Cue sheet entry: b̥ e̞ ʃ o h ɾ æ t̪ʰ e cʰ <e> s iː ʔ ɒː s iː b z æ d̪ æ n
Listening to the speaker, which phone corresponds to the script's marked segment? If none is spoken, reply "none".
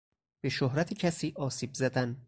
æ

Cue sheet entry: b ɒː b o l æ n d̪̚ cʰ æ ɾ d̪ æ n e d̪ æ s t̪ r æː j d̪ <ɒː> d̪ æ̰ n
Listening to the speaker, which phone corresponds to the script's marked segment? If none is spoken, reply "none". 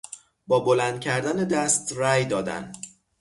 ɒː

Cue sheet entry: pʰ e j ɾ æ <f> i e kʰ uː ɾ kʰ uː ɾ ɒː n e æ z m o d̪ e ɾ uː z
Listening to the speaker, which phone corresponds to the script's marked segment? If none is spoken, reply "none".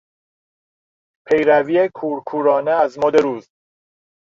v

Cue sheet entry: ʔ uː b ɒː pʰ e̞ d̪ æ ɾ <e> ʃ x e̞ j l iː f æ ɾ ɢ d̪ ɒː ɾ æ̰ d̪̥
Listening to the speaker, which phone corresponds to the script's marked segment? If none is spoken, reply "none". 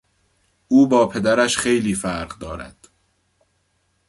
æ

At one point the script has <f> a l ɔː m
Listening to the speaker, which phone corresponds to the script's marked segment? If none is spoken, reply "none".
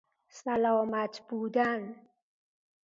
s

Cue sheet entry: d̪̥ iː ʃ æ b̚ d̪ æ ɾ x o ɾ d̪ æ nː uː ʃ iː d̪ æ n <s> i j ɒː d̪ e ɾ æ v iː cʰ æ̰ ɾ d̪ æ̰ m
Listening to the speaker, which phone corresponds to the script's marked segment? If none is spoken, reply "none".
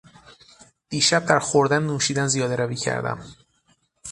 z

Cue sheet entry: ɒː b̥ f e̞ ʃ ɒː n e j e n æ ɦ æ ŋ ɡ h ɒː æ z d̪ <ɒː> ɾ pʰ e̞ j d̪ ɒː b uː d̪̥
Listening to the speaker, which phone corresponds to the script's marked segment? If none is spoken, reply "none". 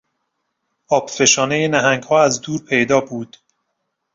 uː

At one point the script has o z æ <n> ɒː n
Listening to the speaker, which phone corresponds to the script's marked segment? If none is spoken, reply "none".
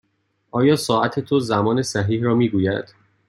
m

